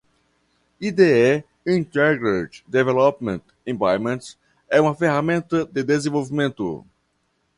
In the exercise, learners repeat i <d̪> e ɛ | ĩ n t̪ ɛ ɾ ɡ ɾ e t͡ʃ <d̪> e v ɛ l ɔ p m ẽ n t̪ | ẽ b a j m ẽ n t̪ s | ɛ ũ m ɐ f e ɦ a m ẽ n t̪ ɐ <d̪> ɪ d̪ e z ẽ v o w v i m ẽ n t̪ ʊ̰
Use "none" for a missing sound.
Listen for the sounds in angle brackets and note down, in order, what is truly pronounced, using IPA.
d̪, d̪, d̪

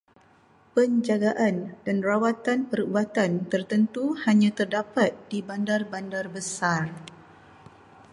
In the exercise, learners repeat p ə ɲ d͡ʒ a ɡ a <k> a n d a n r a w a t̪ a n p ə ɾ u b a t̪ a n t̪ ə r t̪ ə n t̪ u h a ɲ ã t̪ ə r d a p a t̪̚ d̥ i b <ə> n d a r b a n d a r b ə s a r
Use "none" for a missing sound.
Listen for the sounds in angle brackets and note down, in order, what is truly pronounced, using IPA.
ʔ, a

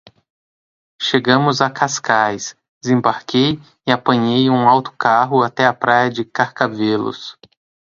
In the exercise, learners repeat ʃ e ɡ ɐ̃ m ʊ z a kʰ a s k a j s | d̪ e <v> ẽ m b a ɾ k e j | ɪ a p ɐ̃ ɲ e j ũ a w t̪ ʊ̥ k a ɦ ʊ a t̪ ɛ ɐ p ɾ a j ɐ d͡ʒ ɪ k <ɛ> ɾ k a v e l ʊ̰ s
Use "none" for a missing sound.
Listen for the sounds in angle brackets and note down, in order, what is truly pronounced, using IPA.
z, a

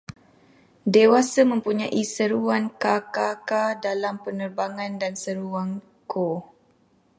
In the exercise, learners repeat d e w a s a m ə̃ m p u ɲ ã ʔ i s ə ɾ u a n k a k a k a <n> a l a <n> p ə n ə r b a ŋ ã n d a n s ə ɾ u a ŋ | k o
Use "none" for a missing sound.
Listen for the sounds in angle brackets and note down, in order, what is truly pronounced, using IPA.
d, m

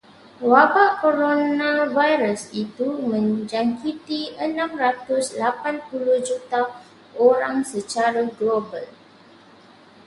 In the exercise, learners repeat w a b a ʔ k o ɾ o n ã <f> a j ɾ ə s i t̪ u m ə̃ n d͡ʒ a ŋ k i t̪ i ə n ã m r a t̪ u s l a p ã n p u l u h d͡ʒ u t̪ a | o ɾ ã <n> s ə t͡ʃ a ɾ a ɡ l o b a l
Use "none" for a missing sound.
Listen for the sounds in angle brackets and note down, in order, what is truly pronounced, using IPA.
v, ŋ

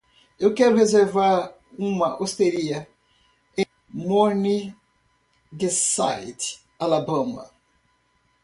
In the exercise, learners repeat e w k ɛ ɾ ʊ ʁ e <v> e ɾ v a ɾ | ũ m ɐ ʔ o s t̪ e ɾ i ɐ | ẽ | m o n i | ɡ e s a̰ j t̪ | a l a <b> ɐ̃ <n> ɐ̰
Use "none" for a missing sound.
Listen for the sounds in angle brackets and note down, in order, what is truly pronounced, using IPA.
z, b, m

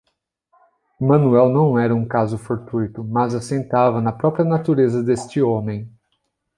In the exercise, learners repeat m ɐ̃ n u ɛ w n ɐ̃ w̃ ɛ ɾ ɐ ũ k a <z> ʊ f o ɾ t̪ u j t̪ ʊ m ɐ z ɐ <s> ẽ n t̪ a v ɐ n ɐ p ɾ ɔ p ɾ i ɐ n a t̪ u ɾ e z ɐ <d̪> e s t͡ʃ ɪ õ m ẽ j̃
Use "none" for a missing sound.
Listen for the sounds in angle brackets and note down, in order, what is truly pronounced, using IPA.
z, s, d̪

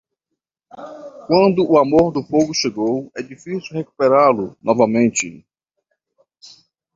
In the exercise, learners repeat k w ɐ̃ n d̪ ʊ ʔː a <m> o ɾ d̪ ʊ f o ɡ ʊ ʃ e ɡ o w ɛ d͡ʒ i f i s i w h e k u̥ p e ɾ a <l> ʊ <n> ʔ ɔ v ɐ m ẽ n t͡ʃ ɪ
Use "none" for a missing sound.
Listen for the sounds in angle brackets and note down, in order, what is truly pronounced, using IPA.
m, l, n

